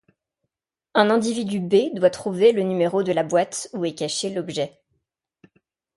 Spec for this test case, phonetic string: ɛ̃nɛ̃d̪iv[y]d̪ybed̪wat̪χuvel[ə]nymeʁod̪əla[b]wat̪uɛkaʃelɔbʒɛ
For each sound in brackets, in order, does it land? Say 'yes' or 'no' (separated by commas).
no, yes, yes